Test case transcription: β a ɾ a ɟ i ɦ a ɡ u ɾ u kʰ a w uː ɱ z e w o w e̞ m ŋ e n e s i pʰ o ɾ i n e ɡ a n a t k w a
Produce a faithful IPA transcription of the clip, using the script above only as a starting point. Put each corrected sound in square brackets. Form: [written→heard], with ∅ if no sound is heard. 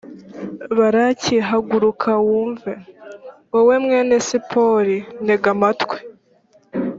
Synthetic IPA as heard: β a ɾ a [ɟ→c] i ɦ a ɡ u ɾ u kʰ a w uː ɱ [z→v] e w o w e̞ m ŋ e n e s i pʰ o ɾ i n e ɡ a [n→m] a t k w [a→e]

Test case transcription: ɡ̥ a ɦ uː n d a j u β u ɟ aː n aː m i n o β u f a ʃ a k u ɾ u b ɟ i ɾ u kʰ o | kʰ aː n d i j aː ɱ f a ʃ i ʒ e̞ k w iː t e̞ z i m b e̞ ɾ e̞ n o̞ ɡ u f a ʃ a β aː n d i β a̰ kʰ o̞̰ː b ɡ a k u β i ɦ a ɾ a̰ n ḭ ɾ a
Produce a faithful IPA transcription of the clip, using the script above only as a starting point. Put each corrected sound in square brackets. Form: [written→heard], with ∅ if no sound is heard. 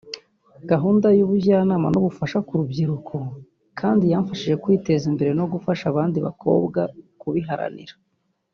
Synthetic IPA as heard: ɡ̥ a ɦ uː n d a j u β u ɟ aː n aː m [i→a] n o β u f a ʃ a k u ɾ u b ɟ i ɾ u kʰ o | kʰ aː n d i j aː ɱ f a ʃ i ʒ e̞ k w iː t e̞ z i m b e̞ ɾ e̞ n o̞ ɡ u f a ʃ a β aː n d i β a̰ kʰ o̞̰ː b ɡ a k u β i ɦ a ɾ a̰ n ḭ ɾ a

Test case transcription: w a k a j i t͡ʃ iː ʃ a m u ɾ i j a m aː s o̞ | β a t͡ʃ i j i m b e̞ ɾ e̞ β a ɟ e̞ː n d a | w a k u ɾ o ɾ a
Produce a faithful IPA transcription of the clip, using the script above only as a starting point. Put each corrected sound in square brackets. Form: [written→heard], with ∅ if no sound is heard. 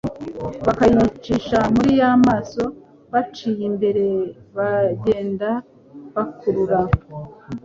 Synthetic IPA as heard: [w→β] a k a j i t͡ʃ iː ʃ a m u ɾ i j a m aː s o̞ | β a t͡ʃ i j i m b e̞ ɾ e̞ β a ɟ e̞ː n d a | [w→β] a k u ɾ [o→u] ɾ a

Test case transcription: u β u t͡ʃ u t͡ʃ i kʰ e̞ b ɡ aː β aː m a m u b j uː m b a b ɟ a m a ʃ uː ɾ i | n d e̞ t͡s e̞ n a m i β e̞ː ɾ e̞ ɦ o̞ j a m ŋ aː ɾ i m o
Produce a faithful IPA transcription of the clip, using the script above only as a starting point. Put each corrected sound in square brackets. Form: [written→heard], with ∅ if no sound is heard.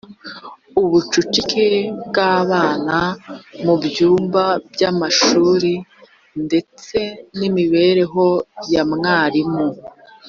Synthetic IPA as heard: u β u t͡ʃ u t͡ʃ i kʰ e̞ b ɡ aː β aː [m→n] a m u b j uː m b a b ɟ a m a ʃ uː ɾ i | n d e̞ t͡s e̞ n [a→i] m i β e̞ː ɾ e̞ ɦ o̞ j a m ŋ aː ɾ i m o

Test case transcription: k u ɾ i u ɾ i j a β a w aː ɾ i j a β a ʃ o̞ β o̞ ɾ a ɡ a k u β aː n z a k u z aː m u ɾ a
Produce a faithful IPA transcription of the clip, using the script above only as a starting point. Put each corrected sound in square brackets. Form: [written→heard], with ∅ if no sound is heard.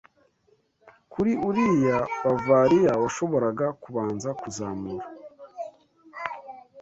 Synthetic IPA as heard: k u ɾ i u ɾ i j a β a [w→v] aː ɾ i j a [β→w] a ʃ o̞ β o̞ ɾ a ɡ a k u β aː n z a k u z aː m u ɾ a

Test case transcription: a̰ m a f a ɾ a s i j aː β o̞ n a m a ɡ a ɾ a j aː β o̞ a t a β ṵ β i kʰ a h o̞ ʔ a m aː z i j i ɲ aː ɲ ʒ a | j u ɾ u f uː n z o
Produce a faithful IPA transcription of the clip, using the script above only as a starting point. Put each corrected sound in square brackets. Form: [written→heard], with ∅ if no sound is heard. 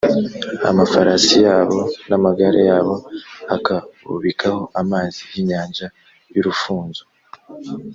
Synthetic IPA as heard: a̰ m a f a ɾ a s i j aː β o̞ n a m a ɡ a ɾ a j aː β o̞ a [t→k] a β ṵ β i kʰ a h o̞ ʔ a m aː z i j i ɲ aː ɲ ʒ a | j u ɾ u f uː n z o

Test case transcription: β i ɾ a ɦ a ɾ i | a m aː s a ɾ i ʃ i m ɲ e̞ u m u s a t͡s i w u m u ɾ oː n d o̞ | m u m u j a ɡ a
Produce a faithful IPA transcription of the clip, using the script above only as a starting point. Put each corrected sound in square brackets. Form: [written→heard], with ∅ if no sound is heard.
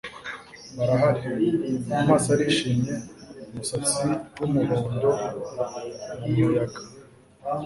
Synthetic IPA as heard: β [i→a] ɾ a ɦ a ɾ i | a m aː s a ɾ i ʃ i m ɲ e̞ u m u s a t͡s i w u m u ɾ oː n d o̞ | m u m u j a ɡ a

